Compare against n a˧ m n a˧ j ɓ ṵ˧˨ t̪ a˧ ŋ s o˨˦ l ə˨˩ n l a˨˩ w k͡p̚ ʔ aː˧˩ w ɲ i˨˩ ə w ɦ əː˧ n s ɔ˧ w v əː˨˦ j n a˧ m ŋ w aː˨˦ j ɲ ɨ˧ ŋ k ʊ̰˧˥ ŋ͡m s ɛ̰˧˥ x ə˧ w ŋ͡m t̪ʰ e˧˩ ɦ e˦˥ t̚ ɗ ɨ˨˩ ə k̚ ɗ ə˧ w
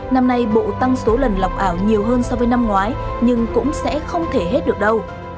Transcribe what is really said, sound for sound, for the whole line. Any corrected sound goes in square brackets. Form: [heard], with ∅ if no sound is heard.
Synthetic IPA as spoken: n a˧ m n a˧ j ɓ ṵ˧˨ t̪ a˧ ŋ s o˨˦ l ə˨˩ n l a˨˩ w k͡p̚ ʔ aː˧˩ w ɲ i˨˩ ə w ɦ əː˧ n s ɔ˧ w v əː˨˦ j n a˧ m ŋ w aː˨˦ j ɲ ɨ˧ ŋ k ʊ̰˧˥ ŋ͡m s ɛ̰˧˥ x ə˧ w ŋ͡m t̪ʰ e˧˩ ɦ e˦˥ t̚ ɗ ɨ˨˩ ə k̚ ɗ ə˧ w